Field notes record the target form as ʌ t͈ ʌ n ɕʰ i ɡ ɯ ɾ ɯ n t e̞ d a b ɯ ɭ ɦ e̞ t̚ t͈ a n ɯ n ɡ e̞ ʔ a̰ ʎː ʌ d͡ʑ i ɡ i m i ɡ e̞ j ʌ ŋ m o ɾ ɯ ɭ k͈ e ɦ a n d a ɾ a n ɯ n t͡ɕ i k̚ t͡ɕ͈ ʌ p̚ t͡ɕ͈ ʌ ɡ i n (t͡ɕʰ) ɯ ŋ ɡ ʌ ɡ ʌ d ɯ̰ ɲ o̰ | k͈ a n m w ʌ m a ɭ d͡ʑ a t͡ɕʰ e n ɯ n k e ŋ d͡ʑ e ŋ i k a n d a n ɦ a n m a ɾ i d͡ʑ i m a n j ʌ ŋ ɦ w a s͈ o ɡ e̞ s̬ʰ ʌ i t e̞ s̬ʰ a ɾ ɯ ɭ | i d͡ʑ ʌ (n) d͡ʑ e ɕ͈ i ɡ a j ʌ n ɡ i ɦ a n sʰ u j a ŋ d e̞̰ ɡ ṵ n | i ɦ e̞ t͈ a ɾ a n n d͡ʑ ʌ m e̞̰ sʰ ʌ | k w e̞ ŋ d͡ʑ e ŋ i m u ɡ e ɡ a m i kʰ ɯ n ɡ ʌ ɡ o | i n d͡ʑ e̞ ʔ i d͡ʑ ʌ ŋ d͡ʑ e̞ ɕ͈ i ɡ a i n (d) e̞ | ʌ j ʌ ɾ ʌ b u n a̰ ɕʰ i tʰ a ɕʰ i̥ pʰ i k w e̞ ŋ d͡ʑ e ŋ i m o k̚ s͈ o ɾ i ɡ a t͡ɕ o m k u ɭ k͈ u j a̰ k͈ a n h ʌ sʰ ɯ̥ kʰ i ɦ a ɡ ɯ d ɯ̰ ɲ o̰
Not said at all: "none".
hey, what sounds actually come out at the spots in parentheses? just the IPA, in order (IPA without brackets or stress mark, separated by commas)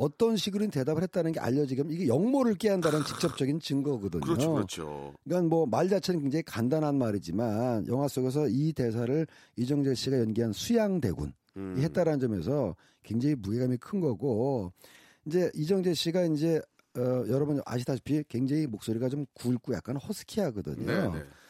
t͡ɕ, ŋ, d͡ʑ